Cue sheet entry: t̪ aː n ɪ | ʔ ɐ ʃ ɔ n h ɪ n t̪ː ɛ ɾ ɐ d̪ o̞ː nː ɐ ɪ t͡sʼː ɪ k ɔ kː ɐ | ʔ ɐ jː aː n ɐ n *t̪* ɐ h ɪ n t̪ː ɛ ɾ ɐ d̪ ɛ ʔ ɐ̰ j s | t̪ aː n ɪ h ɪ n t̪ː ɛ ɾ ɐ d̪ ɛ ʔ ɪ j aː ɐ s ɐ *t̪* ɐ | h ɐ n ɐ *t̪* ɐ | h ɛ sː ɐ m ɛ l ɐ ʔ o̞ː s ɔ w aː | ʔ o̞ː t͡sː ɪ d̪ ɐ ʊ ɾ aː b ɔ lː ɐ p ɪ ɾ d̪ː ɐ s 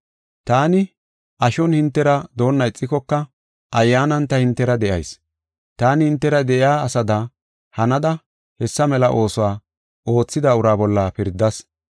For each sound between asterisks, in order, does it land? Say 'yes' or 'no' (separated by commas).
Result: yes, no, no